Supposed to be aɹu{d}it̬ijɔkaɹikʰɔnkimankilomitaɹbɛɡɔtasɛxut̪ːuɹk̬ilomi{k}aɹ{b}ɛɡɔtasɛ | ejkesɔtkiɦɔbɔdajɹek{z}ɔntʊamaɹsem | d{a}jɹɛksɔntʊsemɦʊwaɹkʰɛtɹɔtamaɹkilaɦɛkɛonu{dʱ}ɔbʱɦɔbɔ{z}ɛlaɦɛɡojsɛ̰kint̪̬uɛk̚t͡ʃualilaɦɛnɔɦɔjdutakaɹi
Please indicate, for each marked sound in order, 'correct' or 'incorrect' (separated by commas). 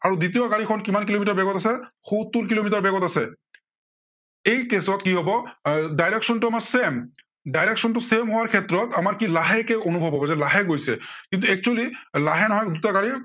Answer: correct, incorrect, correct, incorrect, correct, incorrect, correct